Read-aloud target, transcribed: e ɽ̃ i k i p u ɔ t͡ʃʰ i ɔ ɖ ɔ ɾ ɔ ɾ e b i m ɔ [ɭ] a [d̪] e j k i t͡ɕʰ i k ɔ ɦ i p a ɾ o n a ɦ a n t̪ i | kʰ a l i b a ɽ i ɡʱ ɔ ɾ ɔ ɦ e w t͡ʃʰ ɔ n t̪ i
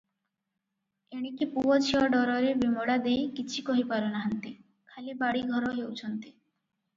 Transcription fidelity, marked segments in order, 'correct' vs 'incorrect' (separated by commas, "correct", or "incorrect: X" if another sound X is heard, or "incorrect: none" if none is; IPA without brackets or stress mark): incorrect: ɽ, correct